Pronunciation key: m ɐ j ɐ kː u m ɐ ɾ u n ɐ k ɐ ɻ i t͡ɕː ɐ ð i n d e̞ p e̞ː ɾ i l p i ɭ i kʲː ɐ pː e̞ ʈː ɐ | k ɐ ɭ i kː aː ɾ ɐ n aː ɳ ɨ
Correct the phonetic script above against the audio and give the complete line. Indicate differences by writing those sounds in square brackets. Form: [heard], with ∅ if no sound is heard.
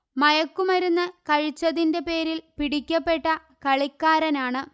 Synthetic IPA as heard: m ɐ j ɐ kː u m ɐ ɾ u [nː] ɐ k ɐ ɻ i t͡ɕː ɐ ð i n d e̞ p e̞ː ɾ i l p i [ɽ] i kʲː ɐ pː e̞ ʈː ɐ | k ɐ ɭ i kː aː ɾ ɐ n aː ɳ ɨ